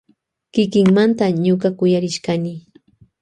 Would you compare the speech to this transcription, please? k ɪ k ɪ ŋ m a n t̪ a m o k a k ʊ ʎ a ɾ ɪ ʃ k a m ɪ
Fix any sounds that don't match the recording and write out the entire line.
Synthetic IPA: k ɪ k ɪ ŋ m a n t̪ a ɲ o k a k ʊ j a ɾ ɪ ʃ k a n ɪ

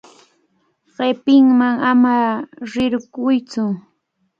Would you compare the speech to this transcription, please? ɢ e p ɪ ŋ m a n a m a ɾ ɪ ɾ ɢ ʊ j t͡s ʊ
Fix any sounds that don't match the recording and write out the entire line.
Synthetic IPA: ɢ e p ɪ ŋ m a ŋ a m a ɾ ɪ ɾ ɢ ʊ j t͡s ʊ

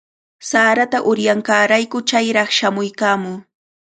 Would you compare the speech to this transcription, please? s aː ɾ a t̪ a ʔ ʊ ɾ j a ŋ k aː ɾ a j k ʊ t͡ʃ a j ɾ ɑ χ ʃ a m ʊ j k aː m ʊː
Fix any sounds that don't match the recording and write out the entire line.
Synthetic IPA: s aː ɾ a t̪ a ʔ ʊ ɾ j a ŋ k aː ɾ a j k ʊ t͡ʃ a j ɾ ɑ χ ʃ a m ʊ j k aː m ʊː

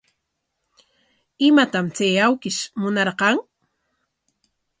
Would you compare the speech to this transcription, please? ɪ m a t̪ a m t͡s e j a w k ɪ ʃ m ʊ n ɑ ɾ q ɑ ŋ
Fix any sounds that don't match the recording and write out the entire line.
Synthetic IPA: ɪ m a t̪ a m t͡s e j a w k ɪ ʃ m ʊ n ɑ ɾ q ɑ ŋ

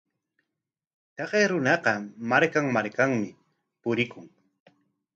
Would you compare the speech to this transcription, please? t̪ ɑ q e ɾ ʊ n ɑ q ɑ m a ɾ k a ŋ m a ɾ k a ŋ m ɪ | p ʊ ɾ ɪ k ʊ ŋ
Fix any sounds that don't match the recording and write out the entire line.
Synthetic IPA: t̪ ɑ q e ɾ ʊ n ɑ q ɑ m a ɾ k a ŋ m a ɾ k a ŋ m ɪ | p ʊ ɾ ɪ k ʊ ŋ

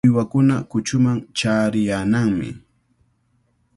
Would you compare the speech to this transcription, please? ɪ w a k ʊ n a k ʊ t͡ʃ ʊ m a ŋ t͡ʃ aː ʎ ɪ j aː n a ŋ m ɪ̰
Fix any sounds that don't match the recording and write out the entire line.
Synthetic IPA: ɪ w a k ʊ n a k ʊ t͡ʃ ʊ m a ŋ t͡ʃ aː ɾ ɪ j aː n a ŋ m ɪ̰

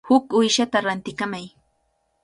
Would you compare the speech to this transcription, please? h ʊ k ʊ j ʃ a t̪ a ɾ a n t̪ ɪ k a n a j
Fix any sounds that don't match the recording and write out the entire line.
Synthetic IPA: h ʊ k ʊ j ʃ a t̪ a ɾ a n t̪ ɪ k a m a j

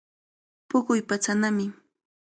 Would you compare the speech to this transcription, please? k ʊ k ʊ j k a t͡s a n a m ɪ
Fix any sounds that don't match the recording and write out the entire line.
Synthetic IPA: p ʊ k ʊ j p a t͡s a n a m ɪ

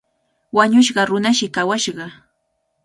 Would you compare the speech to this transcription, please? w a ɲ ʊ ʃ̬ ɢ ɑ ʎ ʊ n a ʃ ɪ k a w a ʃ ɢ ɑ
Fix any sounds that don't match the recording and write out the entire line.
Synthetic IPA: w a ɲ ʊ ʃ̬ ɢ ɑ ɾ ʊ n a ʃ ɪ k a w a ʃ ɢ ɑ

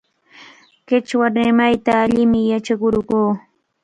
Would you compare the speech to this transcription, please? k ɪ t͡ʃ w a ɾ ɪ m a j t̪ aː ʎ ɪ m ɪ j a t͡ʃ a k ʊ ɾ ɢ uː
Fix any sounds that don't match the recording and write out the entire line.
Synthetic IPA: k ɪ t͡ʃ w a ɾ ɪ m a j t̪ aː ʎ ɪ m ɪ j a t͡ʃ a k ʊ ɾ ɢ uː

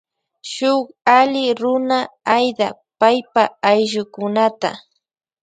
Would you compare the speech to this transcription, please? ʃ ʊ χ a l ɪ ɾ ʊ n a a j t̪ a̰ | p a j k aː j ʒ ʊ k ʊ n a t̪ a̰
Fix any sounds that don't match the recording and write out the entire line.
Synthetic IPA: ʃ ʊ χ a l ɪ ɾ ʊ n a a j d̪ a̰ | p a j p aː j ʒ ʊ k ʊ n a t̪ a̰

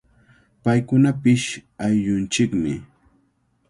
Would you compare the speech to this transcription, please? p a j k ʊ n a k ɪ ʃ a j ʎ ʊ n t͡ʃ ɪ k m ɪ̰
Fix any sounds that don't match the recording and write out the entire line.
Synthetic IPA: p a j k ʊ n a p ɪ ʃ a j ʎ ʊ n t͡ʃ ɪ k m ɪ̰

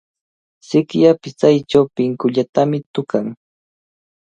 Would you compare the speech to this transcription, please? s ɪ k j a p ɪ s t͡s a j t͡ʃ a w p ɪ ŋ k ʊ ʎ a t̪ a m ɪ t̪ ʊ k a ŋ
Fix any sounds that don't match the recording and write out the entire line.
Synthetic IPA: s ɪ k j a p ɪ s t͡s a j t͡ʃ a w p ɪ ŋ k ʊ ʎ a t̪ a m ɪ t̪ ʊ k a ŋ

